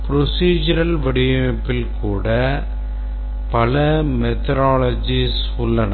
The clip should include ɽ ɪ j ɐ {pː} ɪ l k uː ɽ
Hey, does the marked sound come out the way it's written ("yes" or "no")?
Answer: yes